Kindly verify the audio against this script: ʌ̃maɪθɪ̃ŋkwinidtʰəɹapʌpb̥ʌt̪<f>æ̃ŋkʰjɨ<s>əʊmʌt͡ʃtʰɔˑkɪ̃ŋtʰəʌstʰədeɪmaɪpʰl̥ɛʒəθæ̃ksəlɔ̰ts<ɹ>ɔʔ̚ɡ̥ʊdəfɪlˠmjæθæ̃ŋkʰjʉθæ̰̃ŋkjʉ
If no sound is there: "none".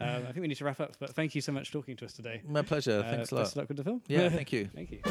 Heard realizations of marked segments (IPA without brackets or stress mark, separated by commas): θ, s, l